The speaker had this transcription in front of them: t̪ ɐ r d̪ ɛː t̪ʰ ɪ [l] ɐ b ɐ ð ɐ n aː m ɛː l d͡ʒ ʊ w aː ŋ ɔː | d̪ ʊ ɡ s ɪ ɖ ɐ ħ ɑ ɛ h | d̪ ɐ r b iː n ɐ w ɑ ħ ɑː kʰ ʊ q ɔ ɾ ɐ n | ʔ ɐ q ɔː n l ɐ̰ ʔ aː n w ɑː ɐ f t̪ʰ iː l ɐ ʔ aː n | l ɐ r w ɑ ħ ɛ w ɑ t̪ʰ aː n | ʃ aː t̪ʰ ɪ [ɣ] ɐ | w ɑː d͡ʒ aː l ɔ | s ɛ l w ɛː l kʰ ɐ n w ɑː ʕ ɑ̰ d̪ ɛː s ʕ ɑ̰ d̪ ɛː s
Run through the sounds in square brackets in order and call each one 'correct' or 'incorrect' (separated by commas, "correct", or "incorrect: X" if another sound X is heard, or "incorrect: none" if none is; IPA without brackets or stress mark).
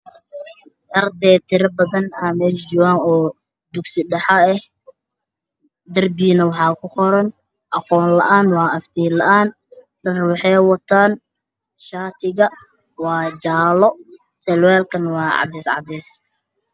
incorrect: ɾ, correct